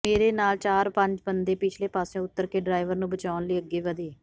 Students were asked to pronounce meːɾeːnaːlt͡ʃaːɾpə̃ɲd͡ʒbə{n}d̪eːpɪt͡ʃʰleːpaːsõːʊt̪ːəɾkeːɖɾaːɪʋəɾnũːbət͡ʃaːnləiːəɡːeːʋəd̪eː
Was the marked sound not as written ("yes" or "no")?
no